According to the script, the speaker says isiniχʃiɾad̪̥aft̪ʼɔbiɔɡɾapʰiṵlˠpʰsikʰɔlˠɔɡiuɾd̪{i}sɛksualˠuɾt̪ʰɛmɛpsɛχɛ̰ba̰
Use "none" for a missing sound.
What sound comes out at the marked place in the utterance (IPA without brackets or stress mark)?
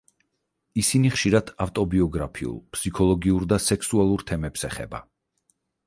a